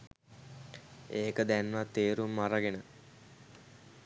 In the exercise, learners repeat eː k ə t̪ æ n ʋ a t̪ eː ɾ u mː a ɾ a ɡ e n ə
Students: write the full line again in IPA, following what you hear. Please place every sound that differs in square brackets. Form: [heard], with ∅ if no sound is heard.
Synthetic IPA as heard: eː k ə [d̪] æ n ʋ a t̪ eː ɾ u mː a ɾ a ɡ e n ə